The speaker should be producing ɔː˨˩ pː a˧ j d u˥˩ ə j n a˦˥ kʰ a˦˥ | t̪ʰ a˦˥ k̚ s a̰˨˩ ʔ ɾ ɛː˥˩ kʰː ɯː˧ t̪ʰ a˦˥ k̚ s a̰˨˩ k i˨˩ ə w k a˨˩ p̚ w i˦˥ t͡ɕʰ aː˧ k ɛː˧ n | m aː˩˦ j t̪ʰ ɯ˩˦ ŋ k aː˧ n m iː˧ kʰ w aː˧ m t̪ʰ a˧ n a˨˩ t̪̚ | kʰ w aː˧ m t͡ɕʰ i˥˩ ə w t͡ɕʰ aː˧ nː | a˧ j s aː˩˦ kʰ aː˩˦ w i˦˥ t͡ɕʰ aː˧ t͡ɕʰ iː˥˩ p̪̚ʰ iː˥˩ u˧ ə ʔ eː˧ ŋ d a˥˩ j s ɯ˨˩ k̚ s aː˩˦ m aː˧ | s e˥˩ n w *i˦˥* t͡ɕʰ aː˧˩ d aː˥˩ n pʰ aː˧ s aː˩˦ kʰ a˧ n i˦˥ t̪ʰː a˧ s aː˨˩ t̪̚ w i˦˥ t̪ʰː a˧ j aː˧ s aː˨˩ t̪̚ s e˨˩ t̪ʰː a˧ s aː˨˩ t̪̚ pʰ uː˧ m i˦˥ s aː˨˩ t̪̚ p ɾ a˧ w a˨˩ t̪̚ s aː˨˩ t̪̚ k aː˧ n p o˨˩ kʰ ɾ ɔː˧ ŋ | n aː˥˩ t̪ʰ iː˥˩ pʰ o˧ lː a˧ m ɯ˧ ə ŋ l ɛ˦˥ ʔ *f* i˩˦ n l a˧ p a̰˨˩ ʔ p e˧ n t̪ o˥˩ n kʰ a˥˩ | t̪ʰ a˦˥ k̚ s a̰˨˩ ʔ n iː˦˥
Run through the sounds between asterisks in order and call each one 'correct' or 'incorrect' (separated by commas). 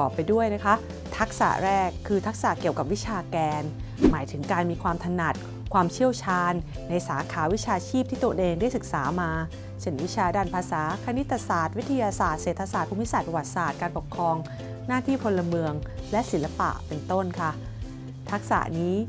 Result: correct, incorrect